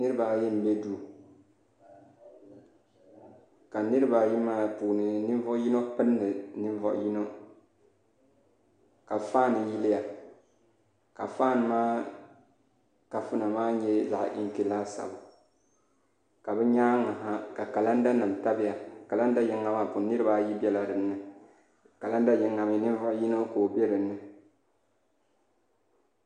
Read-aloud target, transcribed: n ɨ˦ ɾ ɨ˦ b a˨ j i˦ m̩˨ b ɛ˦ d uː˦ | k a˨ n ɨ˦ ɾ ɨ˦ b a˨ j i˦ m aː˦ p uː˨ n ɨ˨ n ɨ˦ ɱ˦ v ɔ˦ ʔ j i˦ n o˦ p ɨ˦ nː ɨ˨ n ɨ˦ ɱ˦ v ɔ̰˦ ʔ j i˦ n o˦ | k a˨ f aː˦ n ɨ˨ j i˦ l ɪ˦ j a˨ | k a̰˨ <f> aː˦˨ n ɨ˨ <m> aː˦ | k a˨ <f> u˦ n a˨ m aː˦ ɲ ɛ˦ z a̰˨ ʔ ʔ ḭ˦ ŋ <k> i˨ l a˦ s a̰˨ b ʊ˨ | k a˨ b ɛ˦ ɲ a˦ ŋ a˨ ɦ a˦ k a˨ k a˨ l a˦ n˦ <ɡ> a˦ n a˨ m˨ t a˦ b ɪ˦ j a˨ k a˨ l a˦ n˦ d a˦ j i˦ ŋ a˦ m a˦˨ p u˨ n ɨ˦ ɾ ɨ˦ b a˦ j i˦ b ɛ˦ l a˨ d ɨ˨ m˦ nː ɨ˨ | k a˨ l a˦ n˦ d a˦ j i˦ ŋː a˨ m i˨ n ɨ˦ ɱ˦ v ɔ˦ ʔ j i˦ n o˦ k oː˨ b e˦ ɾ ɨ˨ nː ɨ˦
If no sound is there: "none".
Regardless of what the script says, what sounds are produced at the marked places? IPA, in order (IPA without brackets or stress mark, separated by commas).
f, m, f, k, d